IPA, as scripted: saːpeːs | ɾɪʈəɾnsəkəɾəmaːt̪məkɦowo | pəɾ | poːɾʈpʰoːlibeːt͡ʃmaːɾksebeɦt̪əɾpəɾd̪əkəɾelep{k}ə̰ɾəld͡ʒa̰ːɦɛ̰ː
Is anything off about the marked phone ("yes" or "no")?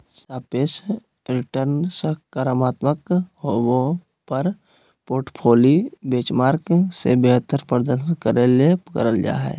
no